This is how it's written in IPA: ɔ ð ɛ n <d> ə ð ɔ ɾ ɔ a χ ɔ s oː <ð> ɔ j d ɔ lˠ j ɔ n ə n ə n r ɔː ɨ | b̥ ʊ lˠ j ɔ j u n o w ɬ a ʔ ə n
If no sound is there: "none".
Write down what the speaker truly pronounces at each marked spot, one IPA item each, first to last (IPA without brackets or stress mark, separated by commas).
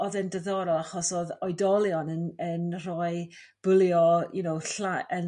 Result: d, ð